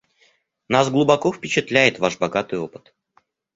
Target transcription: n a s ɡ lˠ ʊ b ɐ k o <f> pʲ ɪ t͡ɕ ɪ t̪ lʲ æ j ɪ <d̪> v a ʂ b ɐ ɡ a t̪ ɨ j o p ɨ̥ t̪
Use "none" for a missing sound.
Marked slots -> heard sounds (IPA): f, t̪

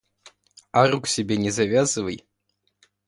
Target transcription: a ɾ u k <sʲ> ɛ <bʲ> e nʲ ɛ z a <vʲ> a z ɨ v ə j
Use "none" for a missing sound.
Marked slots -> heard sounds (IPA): sʲ, bʲ, vʲ

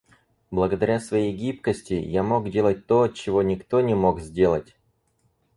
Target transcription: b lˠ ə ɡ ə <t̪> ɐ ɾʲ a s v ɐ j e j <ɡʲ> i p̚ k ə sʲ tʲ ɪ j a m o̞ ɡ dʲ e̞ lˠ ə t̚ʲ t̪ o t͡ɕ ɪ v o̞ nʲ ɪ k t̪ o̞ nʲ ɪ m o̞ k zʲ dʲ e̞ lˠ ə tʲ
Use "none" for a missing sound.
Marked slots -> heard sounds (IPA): d̪, ɡʲ

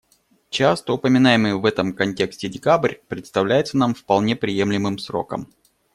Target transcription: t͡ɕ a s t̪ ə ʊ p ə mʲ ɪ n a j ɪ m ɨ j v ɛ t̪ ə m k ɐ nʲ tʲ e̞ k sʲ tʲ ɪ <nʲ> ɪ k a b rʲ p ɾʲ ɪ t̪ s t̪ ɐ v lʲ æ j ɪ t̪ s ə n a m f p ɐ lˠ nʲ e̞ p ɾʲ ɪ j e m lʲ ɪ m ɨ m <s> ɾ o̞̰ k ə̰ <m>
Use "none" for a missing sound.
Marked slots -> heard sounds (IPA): dʲ, s, m

